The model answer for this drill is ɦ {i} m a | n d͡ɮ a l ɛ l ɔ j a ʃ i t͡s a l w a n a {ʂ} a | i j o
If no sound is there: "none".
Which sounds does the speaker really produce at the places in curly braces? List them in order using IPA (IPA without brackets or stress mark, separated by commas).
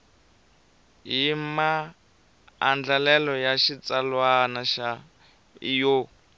i, ʃ